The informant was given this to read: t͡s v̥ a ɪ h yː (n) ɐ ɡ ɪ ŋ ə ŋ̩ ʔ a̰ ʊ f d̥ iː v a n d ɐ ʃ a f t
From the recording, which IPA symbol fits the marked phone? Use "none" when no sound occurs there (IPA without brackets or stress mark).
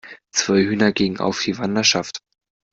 n